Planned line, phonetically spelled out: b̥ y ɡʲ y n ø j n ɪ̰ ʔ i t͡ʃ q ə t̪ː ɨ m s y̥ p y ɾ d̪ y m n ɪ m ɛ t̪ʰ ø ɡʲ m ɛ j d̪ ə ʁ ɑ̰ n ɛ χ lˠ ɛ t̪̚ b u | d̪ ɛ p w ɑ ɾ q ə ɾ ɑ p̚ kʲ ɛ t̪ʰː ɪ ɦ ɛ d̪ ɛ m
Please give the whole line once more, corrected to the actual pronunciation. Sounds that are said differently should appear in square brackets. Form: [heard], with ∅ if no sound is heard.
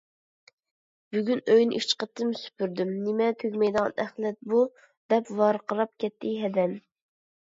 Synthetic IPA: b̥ y ɡʲ y n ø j n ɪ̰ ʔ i t͡ʃ q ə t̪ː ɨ m s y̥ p y ɾ d̪ y m n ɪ m ɛ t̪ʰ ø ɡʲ m ɛ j d̪ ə ʁ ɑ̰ n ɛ χ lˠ ɛ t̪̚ b u | d̪ ɛ p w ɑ ɾ q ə ɾ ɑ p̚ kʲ ɛ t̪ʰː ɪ ɦ ɛ d̪ ɛ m